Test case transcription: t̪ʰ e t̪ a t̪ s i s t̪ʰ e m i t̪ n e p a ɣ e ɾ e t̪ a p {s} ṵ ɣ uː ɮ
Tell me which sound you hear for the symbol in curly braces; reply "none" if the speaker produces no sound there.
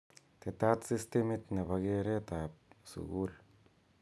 s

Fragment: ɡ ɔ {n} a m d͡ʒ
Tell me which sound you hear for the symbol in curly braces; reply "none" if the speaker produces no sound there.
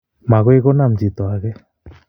n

